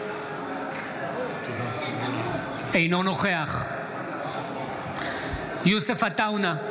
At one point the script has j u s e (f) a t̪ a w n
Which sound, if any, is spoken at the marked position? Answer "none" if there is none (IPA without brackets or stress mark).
f